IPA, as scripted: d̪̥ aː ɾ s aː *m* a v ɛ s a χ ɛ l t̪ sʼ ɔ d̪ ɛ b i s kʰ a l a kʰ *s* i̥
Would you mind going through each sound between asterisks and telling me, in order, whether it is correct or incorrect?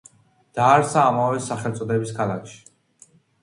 correct, incorrect: ʃ

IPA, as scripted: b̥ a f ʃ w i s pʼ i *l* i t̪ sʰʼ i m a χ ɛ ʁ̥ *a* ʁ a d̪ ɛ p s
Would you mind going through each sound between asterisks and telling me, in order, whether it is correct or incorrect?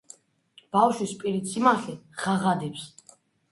incorrect: ɾ, correct

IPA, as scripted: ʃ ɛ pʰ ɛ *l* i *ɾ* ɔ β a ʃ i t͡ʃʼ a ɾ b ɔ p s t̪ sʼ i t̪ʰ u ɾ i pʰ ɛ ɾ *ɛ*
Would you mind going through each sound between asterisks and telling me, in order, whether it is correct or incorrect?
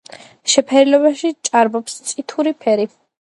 incorrect: ɾ, incorrect: l, incorrect: i

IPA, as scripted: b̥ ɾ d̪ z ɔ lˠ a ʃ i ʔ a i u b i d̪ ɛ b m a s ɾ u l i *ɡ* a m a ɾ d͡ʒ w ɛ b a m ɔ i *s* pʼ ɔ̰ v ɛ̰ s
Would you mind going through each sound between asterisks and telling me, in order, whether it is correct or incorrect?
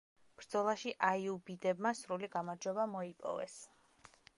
correct, incorrect: none

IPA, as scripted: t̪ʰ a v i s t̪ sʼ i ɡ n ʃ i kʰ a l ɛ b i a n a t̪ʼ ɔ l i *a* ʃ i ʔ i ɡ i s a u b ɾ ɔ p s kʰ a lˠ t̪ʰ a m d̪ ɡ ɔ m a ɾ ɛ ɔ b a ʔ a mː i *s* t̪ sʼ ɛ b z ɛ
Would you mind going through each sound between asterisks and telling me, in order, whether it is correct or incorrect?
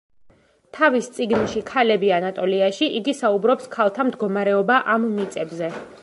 correct, incorrect: none

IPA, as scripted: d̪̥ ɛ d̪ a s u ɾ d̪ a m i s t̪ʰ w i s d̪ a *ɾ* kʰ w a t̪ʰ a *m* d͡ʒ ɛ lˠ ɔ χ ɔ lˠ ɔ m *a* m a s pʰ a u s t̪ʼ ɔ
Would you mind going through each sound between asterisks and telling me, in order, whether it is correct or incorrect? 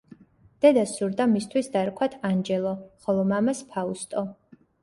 correct, incorrect: n, correct

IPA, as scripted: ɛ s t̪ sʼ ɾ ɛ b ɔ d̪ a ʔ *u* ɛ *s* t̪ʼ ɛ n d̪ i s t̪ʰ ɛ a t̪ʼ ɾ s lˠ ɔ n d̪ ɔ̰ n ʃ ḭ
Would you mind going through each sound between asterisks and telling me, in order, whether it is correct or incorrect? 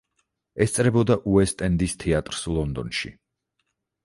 correct, correct

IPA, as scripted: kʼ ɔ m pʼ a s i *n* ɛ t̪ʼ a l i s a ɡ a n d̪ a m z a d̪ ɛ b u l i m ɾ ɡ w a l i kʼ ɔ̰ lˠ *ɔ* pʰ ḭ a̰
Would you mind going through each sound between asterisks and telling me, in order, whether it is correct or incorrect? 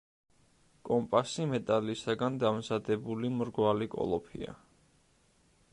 incorrect: m, correct

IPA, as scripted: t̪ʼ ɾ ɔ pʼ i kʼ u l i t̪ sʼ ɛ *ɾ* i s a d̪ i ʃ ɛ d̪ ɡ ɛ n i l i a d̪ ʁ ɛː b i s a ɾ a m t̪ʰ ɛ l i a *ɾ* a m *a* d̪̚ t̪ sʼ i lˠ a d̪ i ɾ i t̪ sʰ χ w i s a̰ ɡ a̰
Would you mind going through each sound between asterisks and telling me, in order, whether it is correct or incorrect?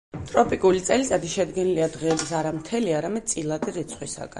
incorrect: l, correct, incorrect: ɛ

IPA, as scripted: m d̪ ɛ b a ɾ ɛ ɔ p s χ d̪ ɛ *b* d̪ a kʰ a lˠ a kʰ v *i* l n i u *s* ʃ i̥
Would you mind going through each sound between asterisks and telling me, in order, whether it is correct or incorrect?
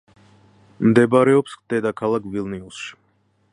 incorrect: none, correct, correct

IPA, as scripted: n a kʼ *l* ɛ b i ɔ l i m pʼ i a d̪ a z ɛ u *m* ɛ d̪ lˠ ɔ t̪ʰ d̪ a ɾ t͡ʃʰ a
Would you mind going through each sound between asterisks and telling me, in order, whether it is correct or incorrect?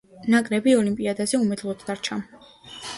incorrect: ɾ, correct

